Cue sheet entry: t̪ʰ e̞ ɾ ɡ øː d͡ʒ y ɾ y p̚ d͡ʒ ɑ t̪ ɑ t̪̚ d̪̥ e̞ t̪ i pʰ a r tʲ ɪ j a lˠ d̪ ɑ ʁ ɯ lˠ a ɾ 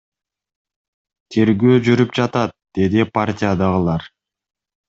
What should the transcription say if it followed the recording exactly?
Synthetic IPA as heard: t̪ʰ e̞ ɾ ɡ øː d͡ʒ y ɾ y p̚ d͡ʒ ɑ t̪ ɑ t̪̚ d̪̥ e̞ d̪ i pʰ a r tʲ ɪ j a d̪ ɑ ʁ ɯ lˠ ɑ ɾ